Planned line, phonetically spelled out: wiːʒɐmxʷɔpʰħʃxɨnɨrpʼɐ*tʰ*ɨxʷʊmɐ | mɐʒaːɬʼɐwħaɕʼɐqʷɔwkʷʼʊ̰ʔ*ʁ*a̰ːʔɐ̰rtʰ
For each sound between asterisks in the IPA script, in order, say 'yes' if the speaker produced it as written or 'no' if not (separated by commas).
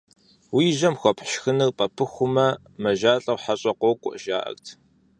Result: no, no